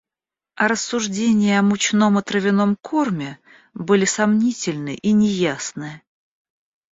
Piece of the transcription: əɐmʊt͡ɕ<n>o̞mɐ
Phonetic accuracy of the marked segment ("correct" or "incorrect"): correct